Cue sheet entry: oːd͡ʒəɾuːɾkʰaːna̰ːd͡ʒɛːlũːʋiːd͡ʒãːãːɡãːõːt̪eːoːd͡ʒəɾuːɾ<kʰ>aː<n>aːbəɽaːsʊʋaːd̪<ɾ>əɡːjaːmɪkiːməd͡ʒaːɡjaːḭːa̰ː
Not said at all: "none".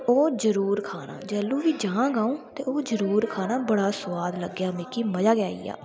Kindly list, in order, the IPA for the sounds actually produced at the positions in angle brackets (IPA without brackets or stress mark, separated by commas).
kʰ, n, l